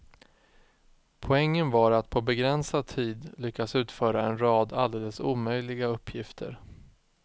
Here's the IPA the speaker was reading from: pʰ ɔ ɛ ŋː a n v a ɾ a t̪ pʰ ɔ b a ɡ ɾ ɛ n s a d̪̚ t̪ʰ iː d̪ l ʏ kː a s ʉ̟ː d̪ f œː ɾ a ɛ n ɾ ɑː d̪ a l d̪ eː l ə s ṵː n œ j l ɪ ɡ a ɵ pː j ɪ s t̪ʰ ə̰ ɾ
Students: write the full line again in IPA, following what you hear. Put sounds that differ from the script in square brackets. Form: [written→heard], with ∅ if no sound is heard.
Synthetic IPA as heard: pʰ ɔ ɛ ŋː [a→ə] n v a ɾ a t̪ pʰ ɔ b [a→ɛ] ɡ ɾ ɛ n s a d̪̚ t̪ʰ iː d̪ l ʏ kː a s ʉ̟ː [d̪→t̪] f œː ɾ a ɛ n ɾ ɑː d̪ a l d̪ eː l ə s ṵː [n→m] œ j l ɪ ɡ a ɵ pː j ɪ [s→f] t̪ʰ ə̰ ɾ